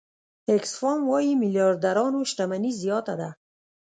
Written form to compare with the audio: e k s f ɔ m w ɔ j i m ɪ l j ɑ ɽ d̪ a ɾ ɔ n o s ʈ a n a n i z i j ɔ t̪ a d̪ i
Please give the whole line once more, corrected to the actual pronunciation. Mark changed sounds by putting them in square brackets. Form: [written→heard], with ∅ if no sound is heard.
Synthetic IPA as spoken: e k s f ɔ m w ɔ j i m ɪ l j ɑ [ɽ→ɾ] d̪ a ɾ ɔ n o [s→ʃ] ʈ a [n→m] a n i z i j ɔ t̪ a d̪ [i→a]